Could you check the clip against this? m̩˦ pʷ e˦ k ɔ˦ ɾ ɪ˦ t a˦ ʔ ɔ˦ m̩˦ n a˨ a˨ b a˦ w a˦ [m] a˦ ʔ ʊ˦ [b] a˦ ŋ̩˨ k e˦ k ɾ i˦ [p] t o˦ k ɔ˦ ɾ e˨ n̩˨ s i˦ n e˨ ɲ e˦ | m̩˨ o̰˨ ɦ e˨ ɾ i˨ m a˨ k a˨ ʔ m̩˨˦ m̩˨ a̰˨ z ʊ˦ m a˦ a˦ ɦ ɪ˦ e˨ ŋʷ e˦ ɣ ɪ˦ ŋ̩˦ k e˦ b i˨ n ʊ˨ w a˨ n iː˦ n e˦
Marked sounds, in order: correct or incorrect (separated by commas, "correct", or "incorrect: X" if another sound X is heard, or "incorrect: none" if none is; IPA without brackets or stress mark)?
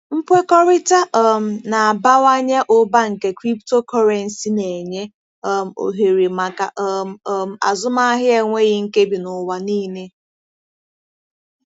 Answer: incorrect: ɲ, correct, correct